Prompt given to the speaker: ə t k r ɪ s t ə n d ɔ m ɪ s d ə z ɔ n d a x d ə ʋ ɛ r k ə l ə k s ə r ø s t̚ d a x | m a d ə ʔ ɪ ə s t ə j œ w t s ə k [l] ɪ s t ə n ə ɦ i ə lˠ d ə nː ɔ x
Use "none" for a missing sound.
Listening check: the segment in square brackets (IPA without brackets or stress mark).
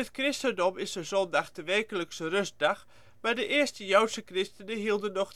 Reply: r